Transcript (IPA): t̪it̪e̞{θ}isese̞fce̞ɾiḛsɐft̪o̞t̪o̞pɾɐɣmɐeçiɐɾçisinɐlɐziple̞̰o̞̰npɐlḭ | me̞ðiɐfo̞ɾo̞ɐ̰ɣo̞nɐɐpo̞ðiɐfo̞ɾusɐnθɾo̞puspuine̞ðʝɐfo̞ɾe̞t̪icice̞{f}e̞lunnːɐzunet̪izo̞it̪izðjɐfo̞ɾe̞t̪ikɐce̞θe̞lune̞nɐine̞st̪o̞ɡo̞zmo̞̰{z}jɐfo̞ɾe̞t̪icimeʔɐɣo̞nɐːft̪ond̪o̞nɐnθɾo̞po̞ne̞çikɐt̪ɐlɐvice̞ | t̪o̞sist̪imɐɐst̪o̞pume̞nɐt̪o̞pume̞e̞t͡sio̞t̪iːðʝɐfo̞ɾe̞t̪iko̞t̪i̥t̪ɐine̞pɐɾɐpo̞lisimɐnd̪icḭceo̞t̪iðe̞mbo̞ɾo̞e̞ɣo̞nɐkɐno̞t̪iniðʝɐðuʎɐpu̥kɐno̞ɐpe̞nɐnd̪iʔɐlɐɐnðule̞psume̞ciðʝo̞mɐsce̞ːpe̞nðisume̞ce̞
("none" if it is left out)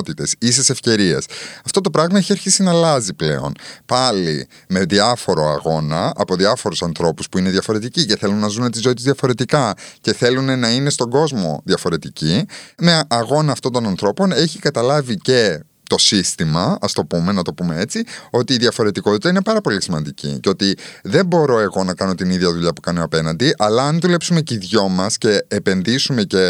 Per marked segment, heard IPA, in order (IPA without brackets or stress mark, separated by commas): s, θ, ð